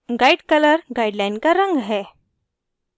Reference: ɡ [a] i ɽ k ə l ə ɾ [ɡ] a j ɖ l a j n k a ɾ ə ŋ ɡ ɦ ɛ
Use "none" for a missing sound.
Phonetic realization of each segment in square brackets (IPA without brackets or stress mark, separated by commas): a, ɡ